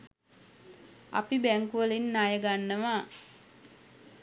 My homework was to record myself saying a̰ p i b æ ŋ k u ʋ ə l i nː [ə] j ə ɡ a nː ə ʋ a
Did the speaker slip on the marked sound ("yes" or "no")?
yes